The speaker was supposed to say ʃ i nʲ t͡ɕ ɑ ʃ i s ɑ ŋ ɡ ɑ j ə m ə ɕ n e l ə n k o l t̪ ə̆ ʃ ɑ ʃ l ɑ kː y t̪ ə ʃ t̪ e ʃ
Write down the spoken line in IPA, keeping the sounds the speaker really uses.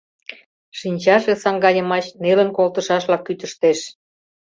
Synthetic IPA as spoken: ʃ i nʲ t͡ɕ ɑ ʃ e s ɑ ŋ ɡ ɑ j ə m ɑ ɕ n e l ə n k o l t̪ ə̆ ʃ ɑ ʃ l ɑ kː y t̪ ə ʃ t̪ e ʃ